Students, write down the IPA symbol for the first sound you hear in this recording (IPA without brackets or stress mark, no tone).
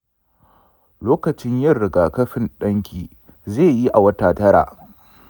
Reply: l